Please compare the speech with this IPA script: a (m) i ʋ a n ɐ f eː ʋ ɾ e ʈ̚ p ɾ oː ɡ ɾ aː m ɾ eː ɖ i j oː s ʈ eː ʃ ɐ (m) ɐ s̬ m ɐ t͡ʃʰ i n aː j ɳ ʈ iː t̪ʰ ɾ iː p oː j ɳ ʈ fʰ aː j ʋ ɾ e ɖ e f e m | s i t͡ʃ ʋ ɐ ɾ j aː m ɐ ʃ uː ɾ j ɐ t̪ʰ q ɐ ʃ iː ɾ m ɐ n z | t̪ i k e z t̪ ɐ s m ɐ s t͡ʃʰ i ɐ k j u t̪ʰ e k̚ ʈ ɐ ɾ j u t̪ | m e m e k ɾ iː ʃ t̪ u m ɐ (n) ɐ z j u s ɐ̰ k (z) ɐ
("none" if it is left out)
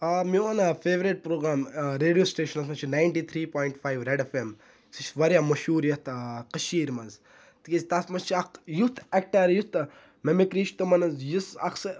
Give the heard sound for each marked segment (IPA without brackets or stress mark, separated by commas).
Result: m, n, n, s